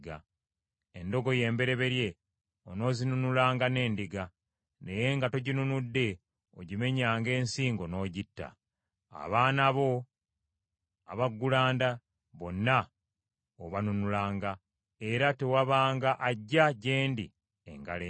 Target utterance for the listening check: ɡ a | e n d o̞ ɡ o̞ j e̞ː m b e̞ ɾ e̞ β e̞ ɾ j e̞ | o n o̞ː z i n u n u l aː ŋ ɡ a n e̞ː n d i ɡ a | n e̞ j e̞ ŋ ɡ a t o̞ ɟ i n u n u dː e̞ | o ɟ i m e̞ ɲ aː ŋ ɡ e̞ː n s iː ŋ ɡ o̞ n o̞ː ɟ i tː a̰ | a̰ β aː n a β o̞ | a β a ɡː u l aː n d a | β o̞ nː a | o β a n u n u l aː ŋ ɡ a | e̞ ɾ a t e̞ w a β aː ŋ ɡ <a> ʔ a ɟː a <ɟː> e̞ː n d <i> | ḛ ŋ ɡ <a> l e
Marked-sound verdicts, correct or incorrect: correct, incorrect: ɟ, correct, correct

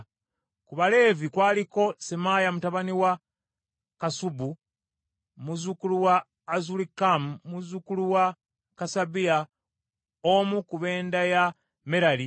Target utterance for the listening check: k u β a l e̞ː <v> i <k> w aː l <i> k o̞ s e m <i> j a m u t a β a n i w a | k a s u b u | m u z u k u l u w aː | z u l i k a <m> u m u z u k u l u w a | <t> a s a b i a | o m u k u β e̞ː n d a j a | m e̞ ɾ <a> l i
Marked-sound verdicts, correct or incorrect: correct, correct, correct, incorrect: a, correct, incorrect: k, correct

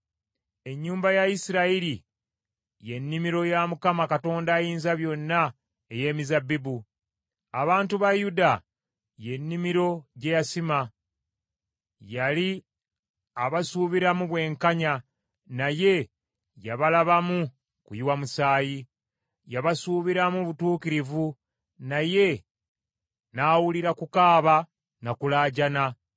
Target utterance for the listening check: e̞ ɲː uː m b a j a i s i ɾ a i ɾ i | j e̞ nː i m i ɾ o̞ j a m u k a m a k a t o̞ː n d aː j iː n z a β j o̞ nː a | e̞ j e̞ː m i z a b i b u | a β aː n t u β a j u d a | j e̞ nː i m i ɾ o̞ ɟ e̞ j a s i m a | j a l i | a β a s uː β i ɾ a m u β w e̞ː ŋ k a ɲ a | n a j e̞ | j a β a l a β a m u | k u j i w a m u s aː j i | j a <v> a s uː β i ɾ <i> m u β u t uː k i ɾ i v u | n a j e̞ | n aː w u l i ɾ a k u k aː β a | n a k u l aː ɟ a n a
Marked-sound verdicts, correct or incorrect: incorrect: β, incorrect: a

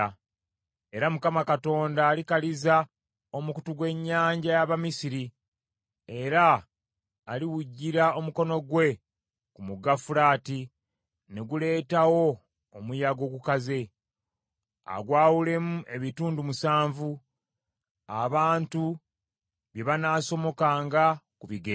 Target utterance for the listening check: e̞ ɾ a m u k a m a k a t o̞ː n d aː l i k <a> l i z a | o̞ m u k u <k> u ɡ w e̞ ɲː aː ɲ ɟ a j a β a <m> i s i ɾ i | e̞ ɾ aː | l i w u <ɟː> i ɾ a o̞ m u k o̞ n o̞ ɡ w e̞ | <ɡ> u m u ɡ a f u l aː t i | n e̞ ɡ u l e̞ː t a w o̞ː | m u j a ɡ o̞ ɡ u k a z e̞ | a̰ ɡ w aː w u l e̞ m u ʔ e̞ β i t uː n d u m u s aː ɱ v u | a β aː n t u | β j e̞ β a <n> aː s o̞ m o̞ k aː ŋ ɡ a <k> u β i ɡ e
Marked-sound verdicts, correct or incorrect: correct, incorrect: t, correct, correct, incorrect: k, correct, correct

